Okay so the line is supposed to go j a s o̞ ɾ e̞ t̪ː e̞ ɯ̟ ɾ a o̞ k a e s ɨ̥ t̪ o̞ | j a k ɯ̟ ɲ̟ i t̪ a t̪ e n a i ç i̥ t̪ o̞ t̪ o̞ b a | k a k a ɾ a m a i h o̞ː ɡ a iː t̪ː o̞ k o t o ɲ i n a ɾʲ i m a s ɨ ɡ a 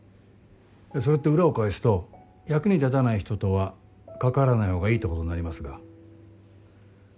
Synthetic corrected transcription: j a s o̞ ɾ e̞ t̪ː e̞ ɯ̟ ɾ a o̞ k a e s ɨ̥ t̪ o̞ | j a k ɯ̟ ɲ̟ i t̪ a t̪ a n a i ç i̥ t̪ o̞ t̪ o̞ β a | k a k a ɾ a n a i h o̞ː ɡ a iː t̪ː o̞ k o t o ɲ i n a ɾʲ i m a s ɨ ɡ a